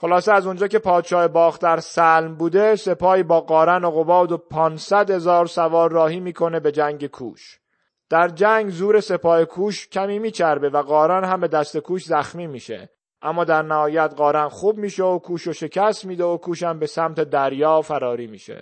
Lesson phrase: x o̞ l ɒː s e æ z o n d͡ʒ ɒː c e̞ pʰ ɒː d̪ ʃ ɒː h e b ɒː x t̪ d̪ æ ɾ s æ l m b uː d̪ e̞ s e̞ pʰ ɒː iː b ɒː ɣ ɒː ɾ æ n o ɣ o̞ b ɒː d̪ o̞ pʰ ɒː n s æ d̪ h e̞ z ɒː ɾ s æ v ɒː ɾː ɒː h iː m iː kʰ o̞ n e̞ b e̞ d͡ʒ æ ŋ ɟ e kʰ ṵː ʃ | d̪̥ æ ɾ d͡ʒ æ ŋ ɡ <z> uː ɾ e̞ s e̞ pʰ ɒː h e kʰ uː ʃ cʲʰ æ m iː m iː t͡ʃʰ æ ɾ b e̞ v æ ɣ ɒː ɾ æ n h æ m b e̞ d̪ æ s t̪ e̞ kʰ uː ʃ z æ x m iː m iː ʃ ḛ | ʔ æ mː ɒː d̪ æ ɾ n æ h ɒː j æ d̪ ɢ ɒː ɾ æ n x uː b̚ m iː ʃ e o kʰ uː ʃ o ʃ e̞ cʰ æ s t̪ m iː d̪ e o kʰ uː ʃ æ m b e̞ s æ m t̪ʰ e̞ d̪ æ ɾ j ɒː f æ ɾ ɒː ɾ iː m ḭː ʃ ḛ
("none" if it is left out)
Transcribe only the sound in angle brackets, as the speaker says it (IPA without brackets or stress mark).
z